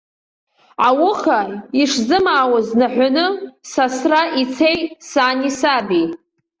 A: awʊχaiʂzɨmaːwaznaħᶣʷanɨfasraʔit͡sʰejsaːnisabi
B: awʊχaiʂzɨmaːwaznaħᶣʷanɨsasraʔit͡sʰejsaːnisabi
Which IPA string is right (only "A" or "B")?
B